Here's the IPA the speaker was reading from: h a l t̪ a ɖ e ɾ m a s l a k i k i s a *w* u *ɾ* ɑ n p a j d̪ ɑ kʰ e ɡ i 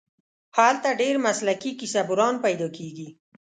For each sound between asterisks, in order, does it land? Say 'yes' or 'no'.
no, yes

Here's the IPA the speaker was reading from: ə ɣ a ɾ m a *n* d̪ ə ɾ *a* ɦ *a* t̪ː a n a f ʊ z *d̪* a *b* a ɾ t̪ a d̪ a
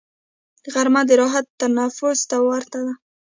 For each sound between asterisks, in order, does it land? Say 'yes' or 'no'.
no, no, yes, no, no

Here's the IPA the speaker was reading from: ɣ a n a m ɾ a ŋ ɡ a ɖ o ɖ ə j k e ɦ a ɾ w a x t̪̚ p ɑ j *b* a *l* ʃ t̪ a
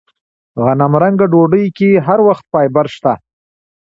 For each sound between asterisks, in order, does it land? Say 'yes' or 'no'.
yes, no

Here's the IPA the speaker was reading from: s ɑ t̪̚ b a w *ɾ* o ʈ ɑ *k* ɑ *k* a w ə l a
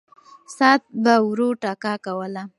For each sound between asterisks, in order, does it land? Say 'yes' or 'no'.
yes, yes, yes

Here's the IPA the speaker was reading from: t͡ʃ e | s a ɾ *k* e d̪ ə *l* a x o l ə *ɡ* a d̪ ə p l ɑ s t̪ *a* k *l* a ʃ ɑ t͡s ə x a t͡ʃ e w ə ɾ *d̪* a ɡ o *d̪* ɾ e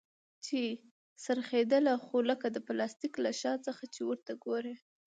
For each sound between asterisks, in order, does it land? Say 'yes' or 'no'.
no, yes, no, no, yes, no, no

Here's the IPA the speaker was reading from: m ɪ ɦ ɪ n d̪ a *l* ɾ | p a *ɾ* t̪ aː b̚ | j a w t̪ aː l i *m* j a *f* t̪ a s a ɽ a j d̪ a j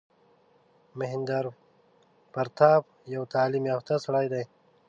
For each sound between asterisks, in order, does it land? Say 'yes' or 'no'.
no, yes, yes, yes

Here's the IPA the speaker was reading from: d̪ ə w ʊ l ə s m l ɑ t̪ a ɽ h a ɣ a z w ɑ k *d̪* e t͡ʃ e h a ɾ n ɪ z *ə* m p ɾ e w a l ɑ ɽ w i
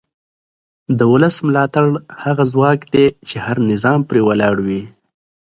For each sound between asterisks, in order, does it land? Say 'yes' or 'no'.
yes, no

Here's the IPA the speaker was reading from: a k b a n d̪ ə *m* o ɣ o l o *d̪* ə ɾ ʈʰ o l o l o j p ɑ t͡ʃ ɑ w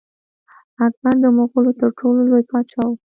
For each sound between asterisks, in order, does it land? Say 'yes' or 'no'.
yes, no

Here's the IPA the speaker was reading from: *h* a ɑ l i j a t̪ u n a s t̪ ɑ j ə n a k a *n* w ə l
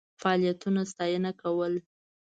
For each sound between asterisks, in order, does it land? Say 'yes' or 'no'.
no, no

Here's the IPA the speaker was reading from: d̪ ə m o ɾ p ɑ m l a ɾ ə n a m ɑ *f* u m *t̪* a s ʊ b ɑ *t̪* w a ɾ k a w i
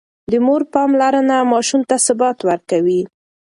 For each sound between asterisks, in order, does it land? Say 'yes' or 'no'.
no, yes, yes

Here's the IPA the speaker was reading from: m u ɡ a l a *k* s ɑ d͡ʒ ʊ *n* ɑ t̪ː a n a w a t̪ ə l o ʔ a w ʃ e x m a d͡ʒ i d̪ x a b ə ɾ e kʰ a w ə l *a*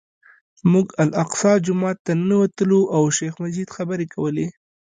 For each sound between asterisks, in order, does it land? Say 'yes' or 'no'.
no, no, no

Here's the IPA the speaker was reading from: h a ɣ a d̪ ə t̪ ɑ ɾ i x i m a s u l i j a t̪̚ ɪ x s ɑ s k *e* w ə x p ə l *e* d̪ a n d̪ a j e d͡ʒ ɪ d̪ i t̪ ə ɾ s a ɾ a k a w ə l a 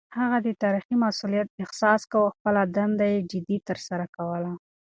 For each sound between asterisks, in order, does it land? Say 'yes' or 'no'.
no, no

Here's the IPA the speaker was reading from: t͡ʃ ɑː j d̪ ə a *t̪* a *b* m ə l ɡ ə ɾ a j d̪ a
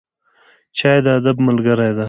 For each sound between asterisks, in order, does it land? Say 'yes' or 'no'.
no, yes

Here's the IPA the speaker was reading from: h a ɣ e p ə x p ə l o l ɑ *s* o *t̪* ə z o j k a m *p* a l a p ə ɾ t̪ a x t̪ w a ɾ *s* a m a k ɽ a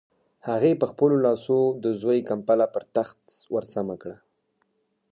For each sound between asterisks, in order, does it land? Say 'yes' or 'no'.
yes, no, yes, yes

